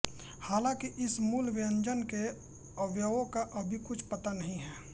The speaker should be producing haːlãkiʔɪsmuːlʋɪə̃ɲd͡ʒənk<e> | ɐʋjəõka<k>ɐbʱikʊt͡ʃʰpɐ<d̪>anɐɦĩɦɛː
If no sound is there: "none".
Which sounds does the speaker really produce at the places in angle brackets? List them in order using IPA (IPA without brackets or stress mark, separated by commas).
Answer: e, ʔ, t̪